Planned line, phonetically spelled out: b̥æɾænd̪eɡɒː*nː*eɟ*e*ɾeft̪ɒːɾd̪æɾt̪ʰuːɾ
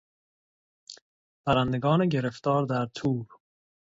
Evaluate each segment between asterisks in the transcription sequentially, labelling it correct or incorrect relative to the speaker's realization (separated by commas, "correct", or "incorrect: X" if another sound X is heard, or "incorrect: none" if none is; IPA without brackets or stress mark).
incorrect: n, correct